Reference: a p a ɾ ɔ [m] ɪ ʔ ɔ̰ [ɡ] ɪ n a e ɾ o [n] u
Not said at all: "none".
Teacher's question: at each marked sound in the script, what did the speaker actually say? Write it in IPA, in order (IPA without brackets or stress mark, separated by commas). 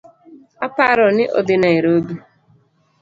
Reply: n, d, d